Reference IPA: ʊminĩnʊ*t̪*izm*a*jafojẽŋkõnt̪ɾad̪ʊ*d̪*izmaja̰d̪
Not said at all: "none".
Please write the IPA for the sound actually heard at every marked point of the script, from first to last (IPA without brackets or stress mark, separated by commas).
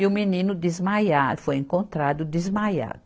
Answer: d̪, a, d̪